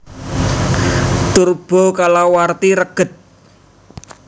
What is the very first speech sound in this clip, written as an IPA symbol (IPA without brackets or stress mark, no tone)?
t̪